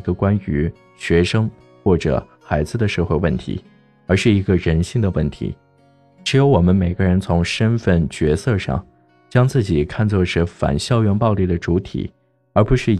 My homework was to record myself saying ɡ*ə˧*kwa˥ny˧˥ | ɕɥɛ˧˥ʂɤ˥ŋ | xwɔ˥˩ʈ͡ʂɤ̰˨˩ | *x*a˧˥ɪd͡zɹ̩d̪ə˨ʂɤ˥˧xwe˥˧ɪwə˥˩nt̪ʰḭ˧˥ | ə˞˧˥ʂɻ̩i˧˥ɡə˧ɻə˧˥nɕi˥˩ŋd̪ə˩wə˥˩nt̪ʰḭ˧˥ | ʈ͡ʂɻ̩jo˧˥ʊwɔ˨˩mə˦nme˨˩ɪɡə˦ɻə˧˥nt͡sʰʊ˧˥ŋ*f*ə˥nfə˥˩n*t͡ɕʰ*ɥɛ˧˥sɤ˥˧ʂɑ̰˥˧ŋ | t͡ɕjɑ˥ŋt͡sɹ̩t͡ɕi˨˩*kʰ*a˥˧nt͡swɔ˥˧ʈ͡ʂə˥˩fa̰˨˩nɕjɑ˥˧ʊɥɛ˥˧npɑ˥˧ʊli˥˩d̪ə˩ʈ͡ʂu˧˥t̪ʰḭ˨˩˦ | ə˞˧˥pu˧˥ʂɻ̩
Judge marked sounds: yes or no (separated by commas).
yes, yes, no, no, yes